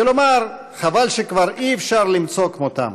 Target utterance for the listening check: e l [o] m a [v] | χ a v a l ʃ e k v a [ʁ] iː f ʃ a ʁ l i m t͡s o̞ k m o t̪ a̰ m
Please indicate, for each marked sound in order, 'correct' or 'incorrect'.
correct, incorrect: ʁ, correct

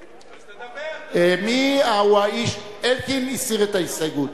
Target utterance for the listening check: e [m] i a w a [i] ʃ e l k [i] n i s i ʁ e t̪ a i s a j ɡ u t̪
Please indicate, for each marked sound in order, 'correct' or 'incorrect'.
correct, correct, correct

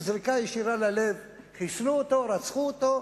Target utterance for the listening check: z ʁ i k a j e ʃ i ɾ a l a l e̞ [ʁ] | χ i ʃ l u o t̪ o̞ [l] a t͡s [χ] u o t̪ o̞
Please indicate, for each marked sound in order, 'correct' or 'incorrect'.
incorrect: v, incorrect: ɾ, correct

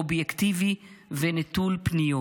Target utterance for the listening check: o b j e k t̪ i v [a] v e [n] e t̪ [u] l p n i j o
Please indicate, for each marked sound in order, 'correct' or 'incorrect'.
incorrect: i, correct, correct

